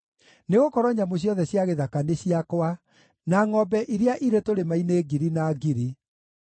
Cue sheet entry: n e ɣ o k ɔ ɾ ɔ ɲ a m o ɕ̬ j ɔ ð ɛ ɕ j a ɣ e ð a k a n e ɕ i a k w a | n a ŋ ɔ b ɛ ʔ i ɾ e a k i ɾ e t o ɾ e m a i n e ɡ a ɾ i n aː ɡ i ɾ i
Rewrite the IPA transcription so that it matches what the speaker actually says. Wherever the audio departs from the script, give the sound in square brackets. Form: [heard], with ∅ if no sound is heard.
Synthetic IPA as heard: n e ɣ o k ɔ ɾ ɔ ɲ a m o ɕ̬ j ɔ ð ɛ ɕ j a ɣ e ð a k a n e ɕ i a k w a | n a ŋ ɔ b ɛ ʔ i ɾ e a [ʔ] i ɾ e t o ɾ e m a i n e ɡ [i] ɾ i n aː ɡ i ɾ i